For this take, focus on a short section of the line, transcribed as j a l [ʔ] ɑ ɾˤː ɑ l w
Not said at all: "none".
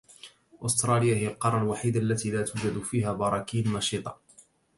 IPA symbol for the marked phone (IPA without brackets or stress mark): q